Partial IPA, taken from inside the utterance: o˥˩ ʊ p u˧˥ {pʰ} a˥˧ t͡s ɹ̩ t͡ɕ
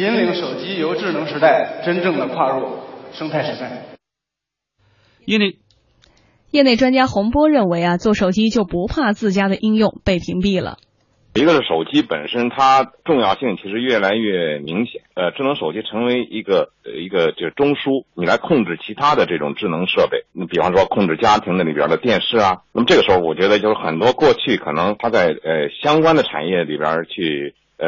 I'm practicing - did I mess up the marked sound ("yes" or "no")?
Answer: no